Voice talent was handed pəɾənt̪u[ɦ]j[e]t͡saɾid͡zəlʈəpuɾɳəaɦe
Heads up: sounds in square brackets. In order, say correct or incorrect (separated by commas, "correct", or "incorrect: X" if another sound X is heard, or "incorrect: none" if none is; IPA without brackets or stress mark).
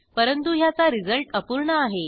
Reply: correct, incorrect: a